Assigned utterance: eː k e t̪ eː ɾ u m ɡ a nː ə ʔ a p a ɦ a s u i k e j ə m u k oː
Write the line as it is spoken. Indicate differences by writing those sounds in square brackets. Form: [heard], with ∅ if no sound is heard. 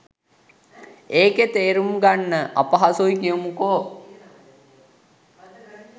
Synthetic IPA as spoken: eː k e t̪ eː ɾ u m ɡ a nː ə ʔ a p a ɦ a s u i k [i] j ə m u k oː